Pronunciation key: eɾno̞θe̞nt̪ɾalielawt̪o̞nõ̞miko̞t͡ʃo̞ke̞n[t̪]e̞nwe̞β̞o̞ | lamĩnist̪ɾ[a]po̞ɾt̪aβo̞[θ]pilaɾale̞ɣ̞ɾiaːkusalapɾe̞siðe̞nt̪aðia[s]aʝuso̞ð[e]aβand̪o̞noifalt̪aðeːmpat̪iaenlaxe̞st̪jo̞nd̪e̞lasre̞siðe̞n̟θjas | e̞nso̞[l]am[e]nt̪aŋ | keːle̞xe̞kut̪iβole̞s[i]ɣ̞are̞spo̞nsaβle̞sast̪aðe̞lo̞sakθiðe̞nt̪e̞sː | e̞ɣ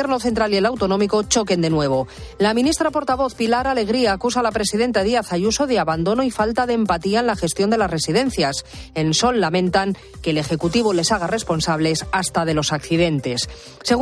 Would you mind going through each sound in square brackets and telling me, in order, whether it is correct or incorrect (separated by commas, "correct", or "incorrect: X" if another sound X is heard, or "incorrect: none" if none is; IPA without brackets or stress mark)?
incorrect: d̪, correct, correct, incorrect: θ, correct, incorrect: lː, incorrect: ẽ, incorrect: a